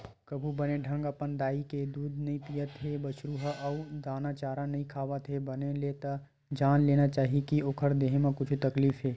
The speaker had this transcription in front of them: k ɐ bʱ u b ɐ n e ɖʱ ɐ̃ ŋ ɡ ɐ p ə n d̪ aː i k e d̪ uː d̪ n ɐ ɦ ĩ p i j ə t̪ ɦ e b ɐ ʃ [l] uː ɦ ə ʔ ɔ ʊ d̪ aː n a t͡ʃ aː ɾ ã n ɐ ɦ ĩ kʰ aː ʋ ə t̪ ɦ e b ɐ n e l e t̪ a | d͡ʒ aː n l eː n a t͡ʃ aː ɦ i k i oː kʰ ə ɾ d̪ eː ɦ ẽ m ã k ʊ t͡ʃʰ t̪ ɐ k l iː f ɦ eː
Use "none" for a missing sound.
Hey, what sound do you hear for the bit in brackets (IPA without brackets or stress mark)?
ɾ